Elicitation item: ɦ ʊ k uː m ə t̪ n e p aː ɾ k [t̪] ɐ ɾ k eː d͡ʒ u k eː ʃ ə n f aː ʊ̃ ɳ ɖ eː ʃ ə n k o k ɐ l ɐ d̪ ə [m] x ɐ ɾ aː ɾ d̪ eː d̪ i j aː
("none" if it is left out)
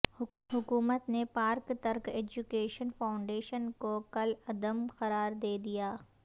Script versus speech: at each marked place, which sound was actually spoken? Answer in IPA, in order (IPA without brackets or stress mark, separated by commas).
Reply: t̪, m